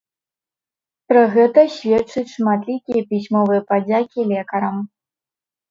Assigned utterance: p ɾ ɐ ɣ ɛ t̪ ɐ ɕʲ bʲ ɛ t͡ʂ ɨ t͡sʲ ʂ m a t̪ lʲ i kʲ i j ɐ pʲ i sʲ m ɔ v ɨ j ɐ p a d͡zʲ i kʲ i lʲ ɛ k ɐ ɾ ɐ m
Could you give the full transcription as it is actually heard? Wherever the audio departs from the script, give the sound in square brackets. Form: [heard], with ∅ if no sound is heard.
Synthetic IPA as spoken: p ɾ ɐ ɣ ɛ t̪ ɐ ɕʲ [vʲ] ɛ t͡ʂ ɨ t͡sʲ ʂ m a t̪ lʲ i kʲ i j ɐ pʲ i sʲ m ɔ v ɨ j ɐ p a d͡zʲ [a] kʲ i lʲ ɛ k ɐ ɾ ɐ m